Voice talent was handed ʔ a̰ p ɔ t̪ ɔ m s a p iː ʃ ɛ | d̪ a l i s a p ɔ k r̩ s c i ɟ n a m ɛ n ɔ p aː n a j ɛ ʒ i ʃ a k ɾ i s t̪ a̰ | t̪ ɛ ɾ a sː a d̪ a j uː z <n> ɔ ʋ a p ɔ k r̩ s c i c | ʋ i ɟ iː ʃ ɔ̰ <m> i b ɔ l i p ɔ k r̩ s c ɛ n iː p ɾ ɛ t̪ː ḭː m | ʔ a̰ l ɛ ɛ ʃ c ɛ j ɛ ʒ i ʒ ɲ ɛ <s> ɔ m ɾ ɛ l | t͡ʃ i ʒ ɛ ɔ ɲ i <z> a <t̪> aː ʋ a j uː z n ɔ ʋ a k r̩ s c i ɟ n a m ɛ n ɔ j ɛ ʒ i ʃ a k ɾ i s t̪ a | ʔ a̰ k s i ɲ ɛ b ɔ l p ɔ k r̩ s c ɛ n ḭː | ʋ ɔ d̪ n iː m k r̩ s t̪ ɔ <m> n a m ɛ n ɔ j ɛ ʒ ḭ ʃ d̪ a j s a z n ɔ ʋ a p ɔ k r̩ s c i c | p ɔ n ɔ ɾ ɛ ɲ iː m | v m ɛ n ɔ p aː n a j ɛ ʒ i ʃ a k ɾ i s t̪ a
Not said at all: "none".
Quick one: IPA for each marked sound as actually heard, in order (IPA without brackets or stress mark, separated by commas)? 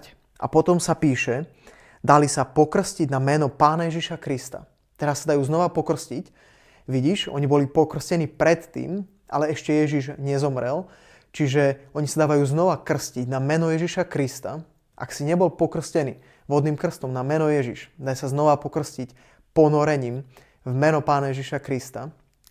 n, ɲ, z, s, d̪, m